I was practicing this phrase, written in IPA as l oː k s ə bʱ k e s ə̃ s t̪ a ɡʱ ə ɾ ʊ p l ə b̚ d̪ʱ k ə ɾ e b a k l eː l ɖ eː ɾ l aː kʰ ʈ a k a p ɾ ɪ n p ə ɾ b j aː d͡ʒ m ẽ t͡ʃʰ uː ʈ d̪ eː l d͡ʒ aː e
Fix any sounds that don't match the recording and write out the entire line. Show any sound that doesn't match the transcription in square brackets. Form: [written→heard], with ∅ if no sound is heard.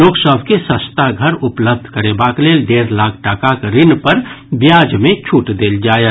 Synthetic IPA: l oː k s ə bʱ k e s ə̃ s t̪ a ɡʱ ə ɾ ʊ p l ə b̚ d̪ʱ k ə ɾ e b a k l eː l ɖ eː ɾ l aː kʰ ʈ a k a [p→k] ɾ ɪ n p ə ɾ b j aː d͡ʒ m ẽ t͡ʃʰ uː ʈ d̪ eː l d͡ʒ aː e

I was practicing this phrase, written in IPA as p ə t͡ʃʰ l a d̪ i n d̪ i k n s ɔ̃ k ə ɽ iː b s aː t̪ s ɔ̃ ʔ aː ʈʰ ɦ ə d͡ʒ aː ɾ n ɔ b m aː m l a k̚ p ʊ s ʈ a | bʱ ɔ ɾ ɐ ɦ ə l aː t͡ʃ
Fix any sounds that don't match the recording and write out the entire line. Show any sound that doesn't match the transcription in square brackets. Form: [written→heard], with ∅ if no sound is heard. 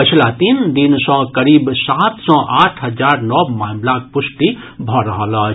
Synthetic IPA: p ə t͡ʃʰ l a [d̪→t̪] i n d̪ i [k→∅] n s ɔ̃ k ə [ɽ→ɾ] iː b s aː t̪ s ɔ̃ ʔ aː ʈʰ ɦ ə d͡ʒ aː ɾ n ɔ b m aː m l a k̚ p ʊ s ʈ [a→i] | bʱ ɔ ɾ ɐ ɦ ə l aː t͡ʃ

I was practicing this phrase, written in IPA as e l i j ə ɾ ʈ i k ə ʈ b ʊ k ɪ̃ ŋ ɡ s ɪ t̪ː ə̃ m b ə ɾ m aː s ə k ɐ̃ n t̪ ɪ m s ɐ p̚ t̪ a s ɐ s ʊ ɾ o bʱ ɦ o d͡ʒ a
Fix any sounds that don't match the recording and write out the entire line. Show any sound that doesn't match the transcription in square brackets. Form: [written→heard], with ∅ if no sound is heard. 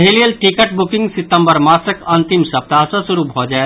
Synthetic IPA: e l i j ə [ɾ→l] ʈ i k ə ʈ b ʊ k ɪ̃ ŋ ɡ s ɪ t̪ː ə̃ m b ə ɾ m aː s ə k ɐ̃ n t̪ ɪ m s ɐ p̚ t̪ a s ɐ s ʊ ɾ [o→u] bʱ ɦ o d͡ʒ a

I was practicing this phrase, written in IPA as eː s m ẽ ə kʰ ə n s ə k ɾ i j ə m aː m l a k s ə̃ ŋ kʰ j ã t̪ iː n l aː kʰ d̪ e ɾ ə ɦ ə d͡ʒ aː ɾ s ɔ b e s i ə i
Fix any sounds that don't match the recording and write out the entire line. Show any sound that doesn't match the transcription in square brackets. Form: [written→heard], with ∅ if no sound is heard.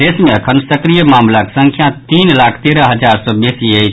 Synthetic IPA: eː s m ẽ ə kʰ ə n s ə k ɾ i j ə m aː m l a k s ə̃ ŋ kʰ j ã t̪ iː n l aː kʰ [d̪→t̪] e ɾ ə ɦ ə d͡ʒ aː ɾ s ɔ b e s i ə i

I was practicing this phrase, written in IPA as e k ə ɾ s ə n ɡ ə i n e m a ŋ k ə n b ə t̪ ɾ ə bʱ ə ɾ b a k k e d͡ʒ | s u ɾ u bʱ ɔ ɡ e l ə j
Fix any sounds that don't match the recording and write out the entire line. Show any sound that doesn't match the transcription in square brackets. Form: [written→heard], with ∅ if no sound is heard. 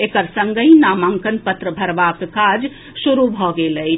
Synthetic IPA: e k ə ɾ s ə [n→ŋ] ɡ ə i n [e→a] m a ŋ k ə n [b→p] ə t̪ ɾ ə bʱ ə ɾ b a k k [e→a] d͡ʒ | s u ɾ u bʱ ɔ ɡ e l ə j

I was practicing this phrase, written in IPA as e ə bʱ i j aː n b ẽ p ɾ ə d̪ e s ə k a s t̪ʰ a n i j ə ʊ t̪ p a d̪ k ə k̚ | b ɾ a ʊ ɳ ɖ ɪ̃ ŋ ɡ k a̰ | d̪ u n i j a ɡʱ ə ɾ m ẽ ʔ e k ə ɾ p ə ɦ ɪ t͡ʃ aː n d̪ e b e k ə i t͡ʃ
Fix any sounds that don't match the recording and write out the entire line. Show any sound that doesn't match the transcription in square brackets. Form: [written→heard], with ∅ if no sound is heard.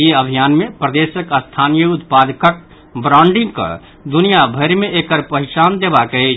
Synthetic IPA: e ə bʱ i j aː n [b→m] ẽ p ɾ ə d̪ e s ə k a s t̪ʰ a n i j ə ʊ t̪ p a d̪ k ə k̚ | b ɾ a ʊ ɳ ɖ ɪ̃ ŋ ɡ k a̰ | d̪ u n i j a [ɡʱ→bʱ] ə ɾ m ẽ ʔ e k ə ɾ p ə ɦ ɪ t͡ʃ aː n d̪ e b [e→a] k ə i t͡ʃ

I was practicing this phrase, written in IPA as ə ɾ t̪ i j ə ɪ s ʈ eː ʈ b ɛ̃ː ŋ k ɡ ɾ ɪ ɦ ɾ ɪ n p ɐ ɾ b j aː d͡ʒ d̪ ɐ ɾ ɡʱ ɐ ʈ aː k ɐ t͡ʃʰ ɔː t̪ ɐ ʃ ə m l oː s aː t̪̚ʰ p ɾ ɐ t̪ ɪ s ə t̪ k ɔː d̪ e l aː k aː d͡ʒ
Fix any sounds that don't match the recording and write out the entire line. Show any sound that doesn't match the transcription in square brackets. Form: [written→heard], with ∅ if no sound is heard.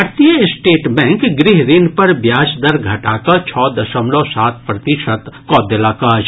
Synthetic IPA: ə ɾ t̪ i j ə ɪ s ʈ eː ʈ b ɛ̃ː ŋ k ɡ ɾ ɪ ɦ ɾ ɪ n p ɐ ɾ b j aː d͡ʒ d̪ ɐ ɾ ɡʱ ɐ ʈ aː k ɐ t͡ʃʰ ɔː [t̪→d̪] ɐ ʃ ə m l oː s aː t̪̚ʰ p ɾ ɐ t̪ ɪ [s→ʃ] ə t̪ k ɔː d̪ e l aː k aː d͡ʒ

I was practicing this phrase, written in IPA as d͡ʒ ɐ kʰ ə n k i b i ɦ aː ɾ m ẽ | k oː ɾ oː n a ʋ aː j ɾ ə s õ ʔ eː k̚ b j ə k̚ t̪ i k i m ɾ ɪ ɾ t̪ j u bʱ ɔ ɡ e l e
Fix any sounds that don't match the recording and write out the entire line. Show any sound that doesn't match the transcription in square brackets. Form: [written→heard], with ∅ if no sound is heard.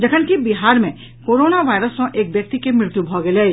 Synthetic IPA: d͡ʒ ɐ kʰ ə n k i b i ɦ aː ɾ m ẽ | k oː ɾ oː n a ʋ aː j ɾ ə s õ ʔ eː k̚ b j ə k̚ t̪ i k [i→e] m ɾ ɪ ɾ t̪ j u bʱ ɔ ɡ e l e

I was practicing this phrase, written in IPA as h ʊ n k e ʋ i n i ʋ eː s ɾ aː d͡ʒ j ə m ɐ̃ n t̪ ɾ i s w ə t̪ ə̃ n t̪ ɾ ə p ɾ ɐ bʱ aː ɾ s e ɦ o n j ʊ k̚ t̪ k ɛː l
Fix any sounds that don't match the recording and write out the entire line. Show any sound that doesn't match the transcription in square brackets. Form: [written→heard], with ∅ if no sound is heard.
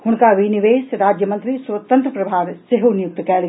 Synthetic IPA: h ʊ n k [e→a] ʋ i n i ʋ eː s ɾ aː d͡ʒ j ə m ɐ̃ n t̪ ɾ i s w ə t̪ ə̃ n t̪ ɾ ə p ɾ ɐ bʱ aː ɾ s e ɦ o n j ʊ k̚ t̪ k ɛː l

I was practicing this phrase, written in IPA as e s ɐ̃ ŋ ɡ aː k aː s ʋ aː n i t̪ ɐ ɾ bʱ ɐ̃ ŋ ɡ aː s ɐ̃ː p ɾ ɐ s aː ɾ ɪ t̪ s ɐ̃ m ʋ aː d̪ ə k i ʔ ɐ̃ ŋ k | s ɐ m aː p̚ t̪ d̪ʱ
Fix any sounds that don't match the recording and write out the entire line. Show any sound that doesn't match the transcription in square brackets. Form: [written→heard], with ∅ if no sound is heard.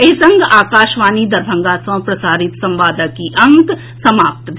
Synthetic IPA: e s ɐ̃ ŋ ɡ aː k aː [s→ʃ] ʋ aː n i [t̪→d̪] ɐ ɾ bʱ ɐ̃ ŋ ɡ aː s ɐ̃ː p ɾ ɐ s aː ɾ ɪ t̪ s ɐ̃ m ʋ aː d̪ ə k i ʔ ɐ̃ ŋ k | s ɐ m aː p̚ t̪ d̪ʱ

